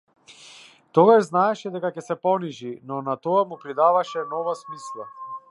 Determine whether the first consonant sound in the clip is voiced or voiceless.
voiceless